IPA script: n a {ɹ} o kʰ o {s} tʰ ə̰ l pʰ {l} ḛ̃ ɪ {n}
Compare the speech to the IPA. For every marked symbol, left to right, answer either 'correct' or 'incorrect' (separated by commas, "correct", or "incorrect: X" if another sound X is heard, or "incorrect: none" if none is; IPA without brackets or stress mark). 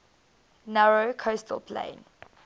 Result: correct, correct, correct, correct